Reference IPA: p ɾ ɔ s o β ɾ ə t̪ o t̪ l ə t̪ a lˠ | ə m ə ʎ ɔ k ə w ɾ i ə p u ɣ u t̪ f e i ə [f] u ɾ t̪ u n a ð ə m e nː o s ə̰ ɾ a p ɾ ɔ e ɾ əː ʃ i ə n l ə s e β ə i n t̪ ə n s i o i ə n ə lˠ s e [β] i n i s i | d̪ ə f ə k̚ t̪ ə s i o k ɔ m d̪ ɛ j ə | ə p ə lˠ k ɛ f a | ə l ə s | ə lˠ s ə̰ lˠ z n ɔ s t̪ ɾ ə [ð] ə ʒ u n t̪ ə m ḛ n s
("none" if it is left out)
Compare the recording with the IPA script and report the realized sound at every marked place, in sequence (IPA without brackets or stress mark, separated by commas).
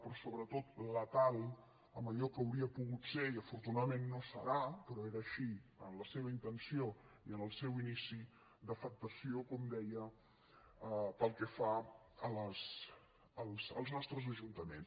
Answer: f, w, z